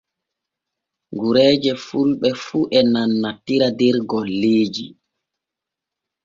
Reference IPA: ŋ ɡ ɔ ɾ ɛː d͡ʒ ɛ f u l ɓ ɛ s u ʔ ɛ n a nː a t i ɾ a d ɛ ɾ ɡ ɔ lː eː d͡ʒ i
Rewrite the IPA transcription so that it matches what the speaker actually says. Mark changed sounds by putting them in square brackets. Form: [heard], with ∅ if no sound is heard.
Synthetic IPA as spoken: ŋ ɡ [u] ɾ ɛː d͡ʒ ɛ f u l ɓ ɛ [f] u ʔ ɛ n a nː a t i ɾ a d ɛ ɾ ɡ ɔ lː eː d͡ʒ i

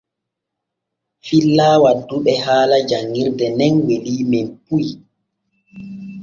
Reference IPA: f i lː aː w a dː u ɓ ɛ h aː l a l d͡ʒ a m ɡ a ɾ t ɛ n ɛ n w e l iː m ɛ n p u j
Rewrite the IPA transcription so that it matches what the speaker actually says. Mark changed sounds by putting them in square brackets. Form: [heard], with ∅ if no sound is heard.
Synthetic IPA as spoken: f i lː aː w a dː u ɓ ɛ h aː l a [∅] d͡ʒ a [ŋ] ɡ [i] ɾ [d] ɛ n ɛ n w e l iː m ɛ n p u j

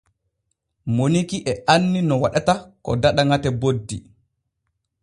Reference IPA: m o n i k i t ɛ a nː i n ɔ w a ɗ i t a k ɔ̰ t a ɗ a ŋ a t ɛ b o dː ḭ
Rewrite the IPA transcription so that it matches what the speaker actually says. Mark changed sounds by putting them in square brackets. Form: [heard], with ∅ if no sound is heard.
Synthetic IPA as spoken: m o n i k i [ʔ] ɛ a nː i n ɔ w a ɗ [a] t a k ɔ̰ [d] a ɗ a ŋ a t ɛ b o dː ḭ

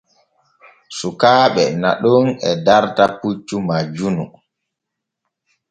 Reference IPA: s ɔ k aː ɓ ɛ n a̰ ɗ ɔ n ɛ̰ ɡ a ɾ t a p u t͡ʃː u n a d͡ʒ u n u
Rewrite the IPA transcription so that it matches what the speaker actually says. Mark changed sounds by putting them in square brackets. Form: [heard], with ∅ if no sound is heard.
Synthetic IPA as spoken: s [u] k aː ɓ ɛ n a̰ ɗ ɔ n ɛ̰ [d] a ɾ t a p u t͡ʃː u [m] a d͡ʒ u n u

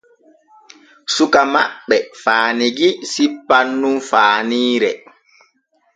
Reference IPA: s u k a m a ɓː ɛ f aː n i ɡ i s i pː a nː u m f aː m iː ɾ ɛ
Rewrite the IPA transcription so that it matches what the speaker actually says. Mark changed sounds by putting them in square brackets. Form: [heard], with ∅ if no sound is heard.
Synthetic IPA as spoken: s u k a m a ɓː ɛ f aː n i ɡ i s i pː a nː u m f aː [n] iː ɾ ɛ

